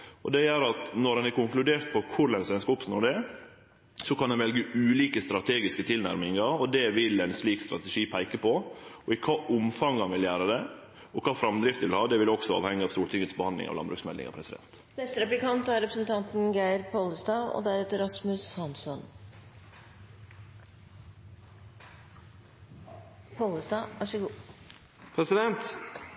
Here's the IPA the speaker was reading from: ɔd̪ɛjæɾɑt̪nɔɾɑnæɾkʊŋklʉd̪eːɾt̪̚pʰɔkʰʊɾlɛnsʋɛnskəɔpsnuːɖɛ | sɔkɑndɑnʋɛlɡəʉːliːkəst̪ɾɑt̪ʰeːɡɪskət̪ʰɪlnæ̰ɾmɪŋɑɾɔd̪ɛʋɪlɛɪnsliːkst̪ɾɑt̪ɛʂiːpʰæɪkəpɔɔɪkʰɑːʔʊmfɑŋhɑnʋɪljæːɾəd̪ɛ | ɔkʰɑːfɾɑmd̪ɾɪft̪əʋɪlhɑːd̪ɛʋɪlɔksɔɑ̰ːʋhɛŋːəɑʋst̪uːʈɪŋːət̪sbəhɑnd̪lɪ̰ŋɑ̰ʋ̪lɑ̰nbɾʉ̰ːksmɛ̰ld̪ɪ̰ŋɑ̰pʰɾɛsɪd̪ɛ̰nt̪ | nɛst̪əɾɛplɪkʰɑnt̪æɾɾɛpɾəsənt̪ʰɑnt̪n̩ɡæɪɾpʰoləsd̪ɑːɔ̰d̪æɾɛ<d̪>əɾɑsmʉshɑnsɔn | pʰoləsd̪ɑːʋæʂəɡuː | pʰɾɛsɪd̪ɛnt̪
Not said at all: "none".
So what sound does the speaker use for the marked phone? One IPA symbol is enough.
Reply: t̪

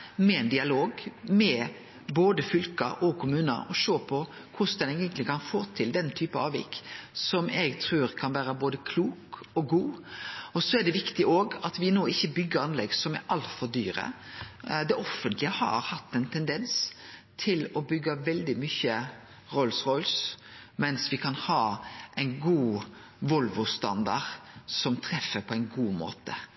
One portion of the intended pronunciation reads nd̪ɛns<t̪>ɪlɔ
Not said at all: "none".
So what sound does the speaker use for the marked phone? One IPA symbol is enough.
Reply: t̪ʰ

